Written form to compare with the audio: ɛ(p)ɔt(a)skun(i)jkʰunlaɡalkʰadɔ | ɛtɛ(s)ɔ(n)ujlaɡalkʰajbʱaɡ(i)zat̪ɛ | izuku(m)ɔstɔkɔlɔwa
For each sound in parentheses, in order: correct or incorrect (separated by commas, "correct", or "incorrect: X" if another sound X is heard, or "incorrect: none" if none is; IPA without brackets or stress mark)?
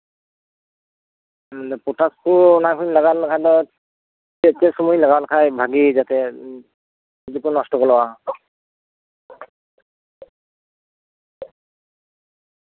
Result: correct, correct, incorrect: a, correct, incorrect: m, correct, incorrect: n